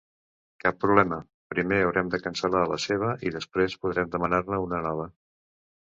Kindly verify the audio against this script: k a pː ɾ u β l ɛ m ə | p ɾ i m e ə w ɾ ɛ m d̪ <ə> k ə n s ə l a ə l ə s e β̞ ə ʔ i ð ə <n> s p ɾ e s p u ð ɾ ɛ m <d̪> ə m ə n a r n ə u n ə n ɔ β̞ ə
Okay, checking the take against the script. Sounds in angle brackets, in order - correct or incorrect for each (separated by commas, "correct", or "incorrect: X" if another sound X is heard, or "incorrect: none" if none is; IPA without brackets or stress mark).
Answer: correct, incorrect: none, correct